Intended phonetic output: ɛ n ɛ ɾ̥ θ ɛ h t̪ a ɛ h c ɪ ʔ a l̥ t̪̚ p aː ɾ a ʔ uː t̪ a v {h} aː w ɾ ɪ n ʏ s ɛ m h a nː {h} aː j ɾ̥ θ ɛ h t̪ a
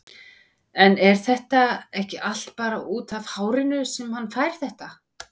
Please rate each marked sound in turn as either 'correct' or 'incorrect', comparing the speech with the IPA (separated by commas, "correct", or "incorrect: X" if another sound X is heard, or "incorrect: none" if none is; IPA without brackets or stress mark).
correct, incorrect: f